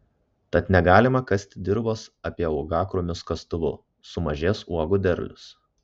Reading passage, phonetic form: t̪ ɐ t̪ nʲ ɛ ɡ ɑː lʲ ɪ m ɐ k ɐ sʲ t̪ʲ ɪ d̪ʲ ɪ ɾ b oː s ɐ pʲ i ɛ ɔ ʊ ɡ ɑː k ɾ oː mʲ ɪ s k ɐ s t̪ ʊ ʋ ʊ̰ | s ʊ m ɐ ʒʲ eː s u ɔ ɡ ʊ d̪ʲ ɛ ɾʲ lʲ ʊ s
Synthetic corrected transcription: t̪ ɐ t̪ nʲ ɛ ɡ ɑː lʲ ɪ m ɐ k ɐ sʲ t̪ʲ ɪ d̪ʲ ɪ ɾ b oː s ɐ pʲ i ɛ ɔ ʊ ɡ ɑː k ɾ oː mʲ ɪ s k ɐ s t̪ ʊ ʋ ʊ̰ | s ʊ m ɐ ʒʲ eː s u ɔ ɡ ʊ d̪ʲ ɛ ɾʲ lʲ ʊ s